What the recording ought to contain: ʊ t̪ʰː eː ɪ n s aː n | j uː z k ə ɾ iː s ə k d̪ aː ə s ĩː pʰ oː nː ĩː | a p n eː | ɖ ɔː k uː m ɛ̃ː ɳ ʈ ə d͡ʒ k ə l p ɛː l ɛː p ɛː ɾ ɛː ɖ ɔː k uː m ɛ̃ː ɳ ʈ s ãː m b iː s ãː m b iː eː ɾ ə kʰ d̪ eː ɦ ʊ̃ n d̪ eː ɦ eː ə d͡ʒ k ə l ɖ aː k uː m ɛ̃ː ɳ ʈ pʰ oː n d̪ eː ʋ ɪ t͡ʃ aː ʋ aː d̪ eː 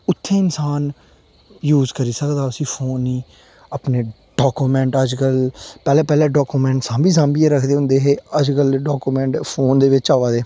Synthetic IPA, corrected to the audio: ʊ t̪ʰː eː ɪ n s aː n | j uː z k ə ɾ iː s ə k d̪ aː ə s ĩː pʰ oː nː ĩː | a p n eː | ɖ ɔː k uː m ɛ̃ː ɳ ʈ ə d͡ʒ k ə l p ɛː l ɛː p ɛː l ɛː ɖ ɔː k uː m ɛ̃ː ɳ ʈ s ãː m b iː s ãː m b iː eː ɾ ə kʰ d̪ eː ɦ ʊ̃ n d̪ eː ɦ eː ə d͡ʒ k ə l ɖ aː k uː m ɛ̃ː ɳ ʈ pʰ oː n d̪ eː ʋ ɪ t͡ʃ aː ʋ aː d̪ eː